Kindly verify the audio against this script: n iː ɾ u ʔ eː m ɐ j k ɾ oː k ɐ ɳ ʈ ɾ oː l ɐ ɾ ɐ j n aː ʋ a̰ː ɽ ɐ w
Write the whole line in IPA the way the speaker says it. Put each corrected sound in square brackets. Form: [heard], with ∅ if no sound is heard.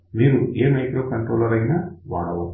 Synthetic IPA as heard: [m] iː ɾ u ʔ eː m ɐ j k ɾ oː k ɐ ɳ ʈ ɾ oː l ɐ ɾ ɐ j n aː ʋ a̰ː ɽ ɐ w